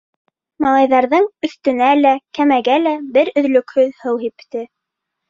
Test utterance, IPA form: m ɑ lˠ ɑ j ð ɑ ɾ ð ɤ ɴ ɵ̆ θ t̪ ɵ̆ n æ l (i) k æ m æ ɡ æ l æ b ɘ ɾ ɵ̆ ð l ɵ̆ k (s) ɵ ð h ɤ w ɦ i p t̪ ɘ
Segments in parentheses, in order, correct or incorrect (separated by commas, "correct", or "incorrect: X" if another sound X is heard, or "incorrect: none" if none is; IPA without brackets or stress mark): incorrect: æ, incorrect: h